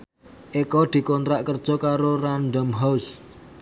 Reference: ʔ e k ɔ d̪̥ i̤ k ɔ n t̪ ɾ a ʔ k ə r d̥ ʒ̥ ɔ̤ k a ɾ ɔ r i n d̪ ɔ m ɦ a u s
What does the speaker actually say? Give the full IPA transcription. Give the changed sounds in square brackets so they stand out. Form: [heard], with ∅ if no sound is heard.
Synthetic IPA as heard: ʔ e k ɔ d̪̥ i̤ k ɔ n t̪ ɾ a ʔ k ə r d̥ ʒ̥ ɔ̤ k a ɾ [o] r [a] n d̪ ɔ m ɦ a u s

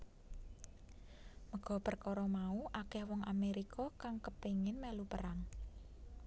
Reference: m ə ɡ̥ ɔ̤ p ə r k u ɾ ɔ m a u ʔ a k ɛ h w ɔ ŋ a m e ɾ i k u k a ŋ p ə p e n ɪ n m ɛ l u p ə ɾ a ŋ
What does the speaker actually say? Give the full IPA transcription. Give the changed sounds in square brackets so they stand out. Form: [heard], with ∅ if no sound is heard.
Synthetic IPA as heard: m ə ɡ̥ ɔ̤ p ə r k [ɔ] ɾ ɔ m a u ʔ a k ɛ h w ɔ ŋ a m e ɾ i k [ɔ] k a ŋ [k] ə p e [ŋ] ɪ n m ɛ l u p ə ɾ a ŋ

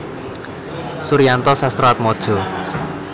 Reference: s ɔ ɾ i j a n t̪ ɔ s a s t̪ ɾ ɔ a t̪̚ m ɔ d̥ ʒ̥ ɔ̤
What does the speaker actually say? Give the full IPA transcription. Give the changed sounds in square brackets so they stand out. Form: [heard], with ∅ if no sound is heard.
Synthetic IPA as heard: s [u] ɾ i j a n t̪ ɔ s a s t̪ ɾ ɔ a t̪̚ m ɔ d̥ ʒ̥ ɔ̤

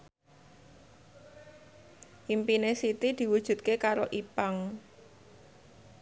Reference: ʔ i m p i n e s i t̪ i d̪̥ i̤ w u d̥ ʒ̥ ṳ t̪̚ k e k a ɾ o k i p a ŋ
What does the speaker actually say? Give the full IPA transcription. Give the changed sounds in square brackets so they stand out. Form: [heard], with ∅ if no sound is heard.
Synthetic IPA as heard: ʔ i m p i n e s i t̪ i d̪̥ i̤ w u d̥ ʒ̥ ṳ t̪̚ k e k a ɾ o [ʔ] i p a ŋ

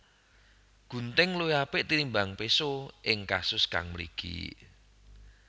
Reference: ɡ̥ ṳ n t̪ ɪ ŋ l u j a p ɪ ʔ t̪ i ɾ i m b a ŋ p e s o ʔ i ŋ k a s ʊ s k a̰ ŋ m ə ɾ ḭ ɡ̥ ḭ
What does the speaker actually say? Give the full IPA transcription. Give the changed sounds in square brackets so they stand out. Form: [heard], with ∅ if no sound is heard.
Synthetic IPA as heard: ɡ̥ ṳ n t̪ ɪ ŋ l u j a p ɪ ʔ t̪ i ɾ i m b a ŋ p e s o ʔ [ɪ] ŋ k a s ʊ s k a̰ ŋ m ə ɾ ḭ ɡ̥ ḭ

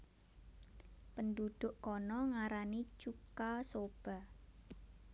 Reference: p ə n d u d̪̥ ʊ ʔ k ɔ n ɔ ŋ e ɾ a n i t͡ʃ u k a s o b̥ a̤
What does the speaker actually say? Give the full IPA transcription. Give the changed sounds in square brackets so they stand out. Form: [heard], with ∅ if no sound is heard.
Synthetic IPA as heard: p ə n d u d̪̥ ʊ ʔ k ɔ n ɔ ŋ [a] ɾ a n i t͡ʃ u k a s o b̥ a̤

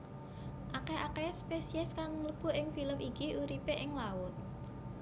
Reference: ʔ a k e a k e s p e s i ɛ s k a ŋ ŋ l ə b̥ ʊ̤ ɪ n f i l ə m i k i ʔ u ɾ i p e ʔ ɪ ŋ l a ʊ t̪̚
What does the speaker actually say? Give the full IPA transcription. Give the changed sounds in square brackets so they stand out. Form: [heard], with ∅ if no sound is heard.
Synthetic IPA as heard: ʔ a k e a k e s p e s i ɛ s k a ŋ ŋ l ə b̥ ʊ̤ ɪ [ŋ] f i l ə m i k i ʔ u ɾ i p e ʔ ɪ ŋ l a ʊ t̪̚

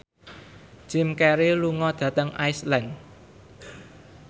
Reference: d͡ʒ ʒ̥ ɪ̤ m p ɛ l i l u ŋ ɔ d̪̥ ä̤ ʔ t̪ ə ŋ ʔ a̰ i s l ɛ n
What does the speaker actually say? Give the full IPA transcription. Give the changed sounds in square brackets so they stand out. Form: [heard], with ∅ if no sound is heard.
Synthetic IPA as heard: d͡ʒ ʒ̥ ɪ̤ m [k] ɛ [ɾ] i l u ŋ ɔ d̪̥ ä̤ [∅] t̪ ə ŋ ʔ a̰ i s l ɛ n

